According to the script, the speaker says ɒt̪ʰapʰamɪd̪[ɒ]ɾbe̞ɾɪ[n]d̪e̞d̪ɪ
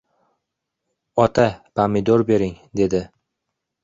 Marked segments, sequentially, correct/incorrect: incorrect: o, incorrect: ŋ

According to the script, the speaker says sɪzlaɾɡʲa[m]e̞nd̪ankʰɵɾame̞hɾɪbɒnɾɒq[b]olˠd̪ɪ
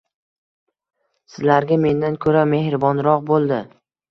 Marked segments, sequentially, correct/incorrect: correct, correct

